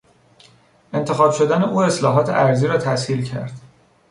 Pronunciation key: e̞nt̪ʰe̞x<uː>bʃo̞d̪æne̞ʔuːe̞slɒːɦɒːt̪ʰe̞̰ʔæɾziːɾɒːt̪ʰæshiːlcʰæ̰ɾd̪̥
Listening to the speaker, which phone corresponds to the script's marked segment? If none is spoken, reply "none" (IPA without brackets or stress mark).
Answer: ɒː